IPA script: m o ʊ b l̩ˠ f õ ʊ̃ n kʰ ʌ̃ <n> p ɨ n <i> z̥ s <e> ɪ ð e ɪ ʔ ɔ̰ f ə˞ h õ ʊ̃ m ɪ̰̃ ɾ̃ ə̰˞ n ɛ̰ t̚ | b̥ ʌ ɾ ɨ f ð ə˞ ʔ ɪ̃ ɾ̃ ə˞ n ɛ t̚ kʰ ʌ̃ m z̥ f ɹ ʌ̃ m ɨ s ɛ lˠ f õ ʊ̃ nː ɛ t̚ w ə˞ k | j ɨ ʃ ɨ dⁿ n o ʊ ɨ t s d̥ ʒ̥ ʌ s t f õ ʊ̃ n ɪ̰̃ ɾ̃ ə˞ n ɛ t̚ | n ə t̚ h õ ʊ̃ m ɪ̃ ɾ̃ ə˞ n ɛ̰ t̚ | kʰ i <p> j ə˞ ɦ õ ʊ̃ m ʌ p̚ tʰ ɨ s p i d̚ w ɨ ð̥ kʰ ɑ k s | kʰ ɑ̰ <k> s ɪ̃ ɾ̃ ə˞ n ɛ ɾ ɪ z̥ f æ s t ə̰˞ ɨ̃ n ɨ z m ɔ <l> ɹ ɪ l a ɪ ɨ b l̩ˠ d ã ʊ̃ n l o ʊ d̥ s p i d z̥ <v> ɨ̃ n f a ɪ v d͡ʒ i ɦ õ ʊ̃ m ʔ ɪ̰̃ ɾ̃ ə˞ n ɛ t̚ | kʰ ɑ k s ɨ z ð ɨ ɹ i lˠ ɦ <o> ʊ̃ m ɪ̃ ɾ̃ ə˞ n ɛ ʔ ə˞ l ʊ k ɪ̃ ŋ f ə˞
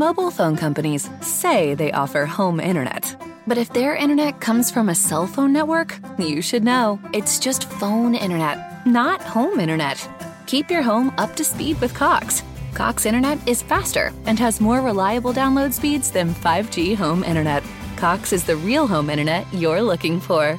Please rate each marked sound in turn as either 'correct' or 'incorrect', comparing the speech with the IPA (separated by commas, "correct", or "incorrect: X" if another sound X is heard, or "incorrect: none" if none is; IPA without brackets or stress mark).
incorrect: m, correct, correct, correct, correct, incorrect: ɹ, incorrect: ð, incorrect: õ